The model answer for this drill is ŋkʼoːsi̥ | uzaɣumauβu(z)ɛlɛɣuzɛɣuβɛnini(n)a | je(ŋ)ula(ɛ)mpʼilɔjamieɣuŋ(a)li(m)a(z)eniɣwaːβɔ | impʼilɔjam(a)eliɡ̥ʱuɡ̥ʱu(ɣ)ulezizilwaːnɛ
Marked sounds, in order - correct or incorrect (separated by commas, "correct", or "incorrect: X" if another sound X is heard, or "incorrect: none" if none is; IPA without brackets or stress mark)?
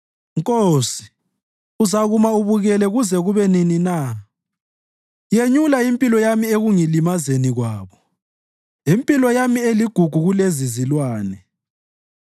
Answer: incorrect: ɣ, correct, incorrect: ɲ, incorrect: i, incorrect: i, correct, correct, incorrect: i, correct